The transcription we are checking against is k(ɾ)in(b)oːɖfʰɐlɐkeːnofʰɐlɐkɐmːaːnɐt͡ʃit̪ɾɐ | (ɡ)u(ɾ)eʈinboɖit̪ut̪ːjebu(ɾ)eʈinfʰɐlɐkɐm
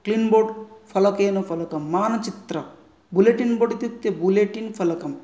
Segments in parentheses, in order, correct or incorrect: incorrect: l, correct, incorrect: b, incorrect: l, incorrect: l

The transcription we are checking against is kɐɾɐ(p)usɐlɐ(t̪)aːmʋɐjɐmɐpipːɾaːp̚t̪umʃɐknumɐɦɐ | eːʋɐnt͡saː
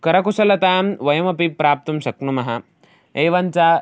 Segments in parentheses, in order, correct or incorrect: incorrect: k, correct

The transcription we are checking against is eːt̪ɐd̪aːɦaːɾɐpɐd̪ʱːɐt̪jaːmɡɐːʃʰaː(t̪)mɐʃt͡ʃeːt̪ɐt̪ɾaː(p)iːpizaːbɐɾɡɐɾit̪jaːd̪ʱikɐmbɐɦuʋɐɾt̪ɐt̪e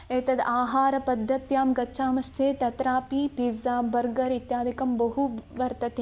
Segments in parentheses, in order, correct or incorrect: incorrect: none, correct

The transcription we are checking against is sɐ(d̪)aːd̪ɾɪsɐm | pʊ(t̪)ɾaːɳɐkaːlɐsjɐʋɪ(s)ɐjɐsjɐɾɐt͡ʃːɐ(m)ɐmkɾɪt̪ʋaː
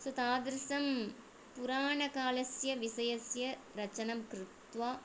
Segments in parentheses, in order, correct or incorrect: incorrect: t̪, incorrect: none, correct, incorrect: n

